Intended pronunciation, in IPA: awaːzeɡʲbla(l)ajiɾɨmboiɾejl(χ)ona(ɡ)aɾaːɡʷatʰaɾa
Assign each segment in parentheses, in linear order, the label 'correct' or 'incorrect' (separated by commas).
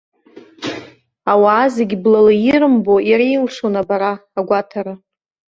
correct, incorrect, incorrect